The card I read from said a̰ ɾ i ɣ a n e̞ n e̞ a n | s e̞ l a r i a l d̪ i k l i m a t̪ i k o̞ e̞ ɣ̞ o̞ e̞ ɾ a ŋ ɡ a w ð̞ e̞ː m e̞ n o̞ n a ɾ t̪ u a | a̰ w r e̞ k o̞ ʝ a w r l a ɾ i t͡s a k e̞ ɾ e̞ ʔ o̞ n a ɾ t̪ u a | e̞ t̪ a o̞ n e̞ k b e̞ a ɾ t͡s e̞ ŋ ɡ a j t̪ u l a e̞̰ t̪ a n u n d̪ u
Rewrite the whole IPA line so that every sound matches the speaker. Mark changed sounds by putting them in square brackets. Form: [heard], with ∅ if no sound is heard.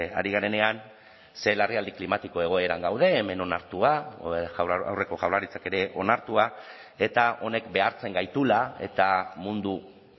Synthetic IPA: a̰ ɾ i ɣ a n e̞ n e̞ a n | s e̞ l a r i a l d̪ i k l i m a t̪ i k o̞ e̞ ɣ̞ o̞ e̞ ɾ a ŋ ɡ a w ð̞ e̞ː m e̞ n o̞ n a ɾ t̪ u a | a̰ w r e̞ k o̞ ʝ a w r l a ɾ i t͡s a k e̞ ɾ e̞ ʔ o̞ n a ɾ t̪ u a | e̞ t̪ a o̞ n e̞ k b e̞ a ɾ t͡s e̞ ŋ ɡ a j t̪ u l a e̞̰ t̪ a [m] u n d̪ u